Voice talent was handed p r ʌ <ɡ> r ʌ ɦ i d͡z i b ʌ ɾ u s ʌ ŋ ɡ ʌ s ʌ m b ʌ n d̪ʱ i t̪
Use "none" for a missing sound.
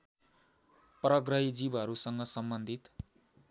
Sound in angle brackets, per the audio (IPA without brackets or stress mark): ɡ